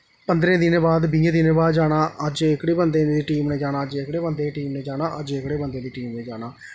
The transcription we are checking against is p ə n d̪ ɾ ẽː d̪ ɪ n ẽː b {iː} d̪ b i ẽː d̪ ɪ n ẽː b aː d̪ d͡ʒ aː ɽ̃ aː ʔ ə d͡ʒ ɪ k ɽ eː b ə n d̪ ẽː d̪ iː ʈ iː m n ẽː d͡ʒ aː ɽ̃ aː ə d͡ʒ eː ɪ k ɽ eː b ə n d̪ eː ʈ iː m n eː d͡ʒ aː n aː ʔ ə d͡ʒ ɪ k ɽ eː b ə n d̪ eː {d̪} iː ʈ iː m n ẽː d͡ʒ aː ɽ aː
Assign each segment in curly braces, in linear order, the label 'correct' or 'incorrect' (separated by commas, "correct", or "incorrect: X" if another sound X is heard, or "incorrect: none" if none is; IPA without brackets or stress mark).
incorrect: aː, correct